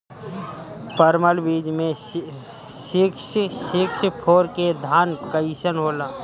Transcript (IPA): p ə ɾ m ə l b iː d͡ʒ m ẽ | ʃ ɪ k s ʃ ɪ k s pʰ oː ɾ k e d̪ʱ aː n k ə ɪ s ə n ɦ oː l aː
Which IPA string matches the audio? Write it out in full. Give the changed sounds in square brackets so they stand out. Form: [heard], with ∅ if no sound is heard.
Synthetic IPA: p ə ɾ m ə l b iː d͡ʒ m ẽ | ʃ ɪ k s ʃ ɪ k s pʰ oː ɾ k e d̪ʱ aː n k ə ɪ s ə n ɦ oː l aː